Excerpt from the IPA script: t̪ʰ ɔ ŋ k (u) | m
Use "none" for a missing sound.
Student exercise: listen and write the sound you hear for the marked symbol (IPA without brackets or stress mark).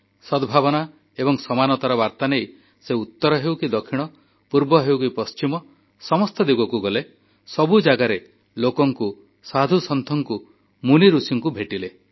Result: u